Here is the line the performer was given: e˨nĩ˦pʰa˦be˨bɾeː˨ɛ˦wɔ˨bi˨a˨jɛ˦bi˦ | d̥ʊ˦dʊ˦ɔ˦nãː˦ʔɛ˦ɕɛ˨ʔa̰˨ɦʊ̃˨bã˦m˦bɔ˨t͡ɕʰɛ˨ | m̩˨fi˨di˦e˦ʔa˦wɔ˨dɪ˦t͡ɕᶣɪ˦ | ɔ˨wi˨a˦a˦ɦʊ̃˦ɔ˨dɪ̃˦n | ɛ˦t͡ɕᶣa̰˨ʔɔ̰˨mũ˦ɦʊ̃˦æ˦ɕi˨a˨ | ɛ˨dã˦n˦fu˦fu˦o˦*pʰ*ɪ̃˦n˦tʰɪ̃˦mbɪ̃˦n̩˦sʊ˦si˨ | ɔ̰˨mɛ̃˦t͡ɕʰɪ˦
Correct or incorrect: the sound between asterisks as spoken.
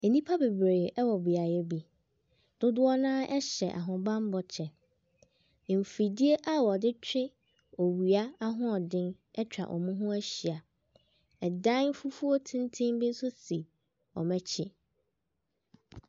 incorrect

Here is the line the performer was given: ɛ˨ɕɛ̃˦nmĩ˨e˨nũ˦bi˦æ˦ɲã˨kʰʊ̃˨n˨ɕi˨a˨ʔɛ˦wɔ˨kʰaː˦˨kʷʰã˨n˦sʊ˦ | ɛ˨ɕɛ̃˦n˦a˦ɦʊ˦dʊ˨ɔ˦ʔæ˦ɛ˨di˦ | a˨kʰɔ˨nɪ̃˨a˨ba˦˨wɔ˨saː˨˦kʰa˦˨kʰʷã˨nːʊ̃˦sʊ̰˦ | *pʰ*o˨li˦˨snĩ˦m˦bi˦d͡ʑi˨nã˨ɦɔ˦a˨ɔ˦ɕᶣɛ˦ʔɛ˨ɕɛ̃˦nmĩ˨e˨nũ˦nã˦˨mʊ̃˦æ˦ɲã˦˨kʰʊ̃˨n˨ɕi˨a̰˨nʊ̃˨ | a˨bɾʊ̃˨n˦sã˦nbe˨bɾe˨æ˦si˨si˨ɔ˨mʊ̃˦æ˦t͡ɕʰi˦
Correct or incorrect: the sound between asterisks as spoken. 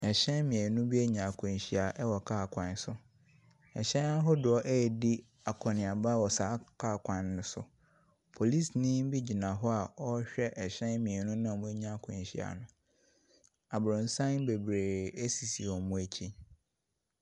correct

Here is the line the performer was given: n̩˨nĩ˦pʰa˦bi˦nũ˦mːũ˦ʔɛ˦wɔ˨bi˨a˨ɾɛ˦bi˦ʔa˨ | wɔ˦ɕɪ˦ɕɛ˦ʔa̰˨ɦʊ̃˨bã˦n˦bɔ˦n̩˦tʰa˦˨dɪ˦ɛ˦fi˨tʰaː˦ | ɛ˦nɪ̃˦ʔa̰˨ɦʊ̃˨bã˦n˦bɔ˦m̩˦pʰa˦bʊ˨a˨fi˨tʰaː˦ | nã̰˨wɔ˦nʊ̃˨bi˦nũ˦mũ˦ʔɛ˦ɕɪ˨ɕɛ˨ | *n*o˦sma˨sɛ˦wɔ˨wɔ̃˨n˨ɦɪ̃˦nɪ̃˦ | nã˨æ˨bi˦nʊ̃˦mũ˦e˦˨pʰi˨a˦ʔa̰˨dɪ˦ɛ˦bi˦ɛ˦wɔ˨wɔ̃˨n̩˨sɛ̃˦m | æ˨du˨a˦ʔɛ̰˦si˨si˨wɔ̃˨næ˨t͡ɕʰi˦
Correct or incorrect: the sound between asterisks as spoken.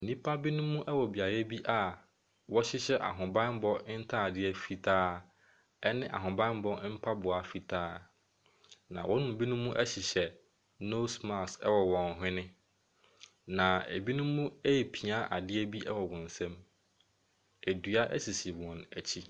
correct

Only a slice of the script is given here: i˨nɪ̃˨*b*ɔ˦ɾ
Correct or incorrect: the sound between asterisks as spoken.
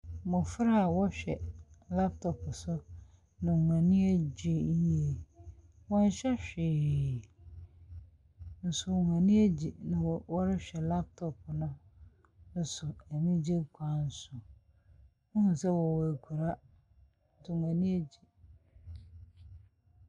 incorrect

